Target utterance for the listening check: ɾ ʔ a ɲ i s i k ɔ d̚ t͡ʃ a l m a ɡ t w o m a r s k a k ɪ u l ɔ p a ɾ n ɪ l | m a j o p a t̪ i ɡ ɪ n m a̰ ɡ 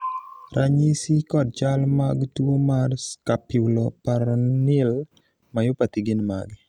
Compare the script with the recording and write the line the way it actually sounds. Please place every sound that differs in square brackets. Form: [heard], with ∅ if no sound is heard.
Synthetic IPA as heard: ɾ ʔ a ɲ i s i k ɔ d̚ t͡ʃ a l m a ɡ t w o m a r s k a [p] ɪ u l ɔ p a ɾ n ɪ l | m a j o p a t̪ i ɡ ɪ n m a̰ ɡ